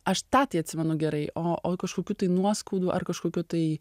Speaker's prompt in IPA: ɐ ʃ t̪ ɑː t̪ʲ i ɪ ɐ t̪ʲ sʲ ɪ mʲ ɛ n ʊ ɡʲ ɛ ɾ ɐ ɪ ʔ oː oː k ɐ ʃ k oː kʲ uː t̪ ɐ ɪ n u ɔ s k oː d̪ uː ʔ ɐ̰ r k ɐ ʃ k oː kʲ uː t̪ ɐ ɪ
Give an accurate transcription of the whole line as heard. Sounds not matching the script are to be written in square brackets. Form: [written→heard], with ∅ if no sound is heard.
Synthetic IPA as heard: ɐ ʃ t̪ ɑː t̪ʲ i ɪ ɐ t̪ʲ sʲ ɪ mʲ ɛ n ʊ ɡʲ ɛ ɾ ɐ ɪ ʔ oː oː k ɐ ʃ k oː kʲ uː t̪ ɐ ɪ n u ɔ s k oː d̪ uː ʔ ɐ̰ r k ɐ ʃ k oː kʲ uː t̪ ɐ ɪ